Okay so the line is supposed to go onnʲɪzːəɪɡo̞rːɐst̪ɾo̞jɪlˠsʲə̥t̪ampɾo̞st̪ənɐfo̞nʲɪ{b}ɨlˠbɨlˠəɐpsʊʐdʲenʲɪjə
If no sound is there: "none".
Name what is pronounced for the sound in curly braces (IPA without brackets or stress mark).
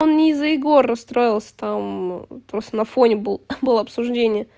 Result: b